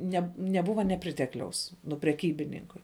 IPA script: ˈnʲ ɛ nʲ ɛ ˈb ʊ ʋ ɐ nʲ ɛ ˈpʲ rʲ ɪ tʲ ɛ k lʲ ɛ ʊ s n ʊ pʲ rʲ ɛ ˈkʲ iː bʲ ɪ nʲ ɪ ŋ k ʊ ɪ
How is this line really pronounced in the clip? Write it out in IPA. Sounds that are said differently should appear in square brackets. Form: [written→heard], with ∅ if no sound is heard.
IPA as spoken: ˈnʲ ɛ nʲ ɛ ˈb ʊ ʋ ɐ nʲ ɛ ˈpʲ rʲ ɪ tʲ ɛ k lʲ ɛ ʊ s n ʊ pʲ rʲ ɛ ˈkʲ iː bʲ ɪ nʲ ɪ ŋ k ʊ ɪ